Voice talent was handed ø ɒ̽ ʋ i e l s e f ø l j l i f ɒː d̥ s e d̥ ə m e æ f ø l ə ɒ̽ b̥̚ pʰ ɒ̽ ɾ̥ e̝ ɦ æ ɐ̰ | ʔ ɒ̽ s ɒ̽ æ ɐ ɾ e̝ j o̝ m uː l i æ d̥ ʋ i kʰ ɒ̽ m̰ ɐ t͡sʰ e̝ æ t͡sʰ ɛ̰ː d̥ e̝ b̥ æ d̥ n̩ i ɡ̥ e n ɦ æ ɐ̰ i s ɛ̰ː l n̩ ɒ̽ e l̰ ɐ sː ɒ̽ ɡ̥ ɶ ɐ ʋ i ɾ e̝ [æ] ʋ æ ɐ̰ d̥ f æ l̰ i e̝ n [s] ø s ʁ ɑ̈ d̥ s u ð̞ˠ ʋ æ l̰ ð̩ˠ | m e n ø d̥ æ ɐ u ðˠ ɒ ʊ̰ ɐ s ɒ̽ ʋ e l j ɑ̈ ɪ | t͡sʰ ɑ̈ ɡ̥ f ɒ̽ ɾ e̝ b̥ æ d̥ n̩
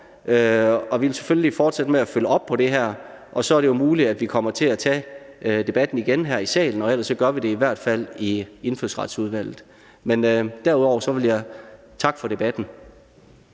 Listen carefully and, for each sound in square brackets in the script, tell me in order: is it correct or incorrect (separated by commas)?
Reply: incorrect, incorrect